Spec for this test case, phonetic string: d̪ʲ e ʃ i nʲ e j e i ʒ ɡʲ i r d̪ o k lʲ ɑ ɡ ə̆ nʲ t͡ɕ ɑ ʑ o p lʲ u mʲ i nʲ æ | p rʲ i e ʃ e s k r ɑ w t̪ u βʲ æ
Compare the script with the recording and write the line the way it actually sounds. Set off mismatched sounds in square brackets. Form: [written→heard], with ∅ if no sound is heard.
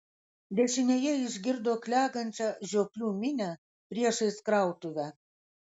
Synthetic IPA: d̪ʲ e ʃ i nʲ e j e i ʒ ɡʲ i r d̪ o k lʲ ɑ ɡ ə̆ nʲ t͡ɕ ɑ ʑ o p lʲ u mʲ i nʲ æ | p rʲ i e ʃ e s k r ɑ w t̪ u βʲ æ